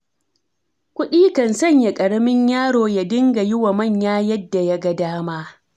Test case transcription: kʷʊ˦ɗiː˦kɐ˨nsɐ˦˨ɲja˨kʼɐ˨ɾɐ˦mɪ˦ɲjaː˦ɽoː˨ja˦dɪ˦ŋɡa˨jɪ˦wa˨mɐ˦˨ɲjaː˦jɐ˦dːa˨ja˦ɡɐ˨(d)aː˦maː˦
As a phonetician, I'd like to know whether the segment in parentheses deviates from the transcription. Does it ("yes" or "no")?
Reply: no